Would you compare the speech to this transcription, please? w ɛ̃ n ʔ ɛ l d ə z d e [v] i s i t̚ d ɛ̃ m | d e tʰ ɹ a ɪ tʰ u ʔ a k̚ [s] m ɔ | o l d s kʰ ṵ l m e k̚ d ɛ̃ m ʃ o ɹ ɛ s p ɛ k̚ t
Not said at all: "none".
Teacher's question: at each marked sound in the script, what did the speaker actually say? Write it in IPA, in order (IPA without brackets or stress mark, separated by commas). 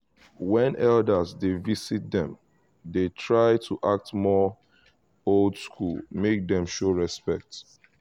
v, t